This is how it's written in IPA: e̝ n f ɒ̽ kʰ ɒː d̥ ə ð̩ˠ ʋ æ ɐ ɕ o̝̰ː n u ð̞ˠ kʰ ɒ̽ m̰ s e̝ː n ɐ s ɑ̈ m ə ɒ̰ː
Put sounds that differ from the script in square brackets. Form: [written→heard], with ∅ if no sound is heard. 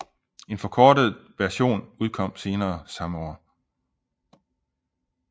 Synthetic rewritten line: e̝ n f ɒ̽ kʰ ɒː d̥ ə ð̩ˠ ʋ æ ɐ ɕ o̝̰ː n u ð̞ˠ kʰ ɒ̽ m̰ s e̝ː n [ɐ→ɐː] s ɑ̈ m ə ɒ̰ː